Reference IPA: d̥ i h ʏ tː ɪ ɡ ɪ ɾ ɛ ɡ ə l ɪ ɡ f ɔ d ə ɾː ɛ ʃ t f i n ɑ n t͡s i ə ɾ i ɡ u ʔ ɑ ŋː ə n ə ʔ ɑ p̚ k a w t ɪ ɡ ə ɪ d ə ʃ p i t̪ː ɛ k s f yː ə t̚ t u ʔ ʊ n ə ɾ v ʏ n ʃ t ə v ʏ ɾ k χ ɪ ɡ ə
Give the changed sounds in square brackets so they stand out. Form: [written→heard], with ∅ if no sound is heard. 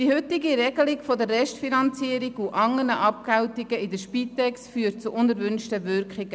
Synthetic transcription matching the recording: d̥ i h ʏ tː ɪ ɡ [ɪ→i] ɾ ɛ ɡ ə l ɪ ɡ f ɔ d ə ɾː ɛ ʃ t f i n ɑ n t͡s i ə ɾ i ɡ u ʔ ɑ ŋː ə n ə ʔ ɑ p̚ k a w t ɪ ɡ ə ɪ d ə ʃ p i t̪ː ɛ k s f yː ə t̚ [t→t͡s] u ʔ ʊ n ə ɾ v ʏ n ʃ t ə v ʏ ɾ k χ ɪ ɡ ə